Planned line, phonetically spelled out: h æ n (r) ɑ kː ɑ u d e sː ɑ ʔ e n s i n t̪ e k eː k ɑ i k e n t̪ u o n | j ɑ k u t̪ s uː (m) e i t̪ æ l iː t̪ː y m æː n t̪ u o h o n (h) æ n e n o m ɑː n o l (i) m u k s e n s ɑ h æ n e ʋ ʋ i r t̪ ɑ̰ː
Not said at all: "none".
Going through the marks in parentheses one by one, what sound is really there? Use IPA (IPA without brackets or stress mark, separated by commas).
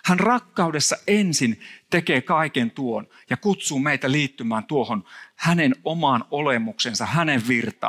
r, m, h, e